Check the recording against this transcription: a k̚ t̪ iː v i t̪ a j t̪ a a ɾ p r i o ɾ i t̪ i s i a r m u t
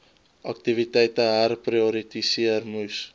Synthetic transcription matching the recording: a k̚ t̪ i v i t̪ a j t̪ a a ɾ p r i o ɾ i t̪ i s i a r m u s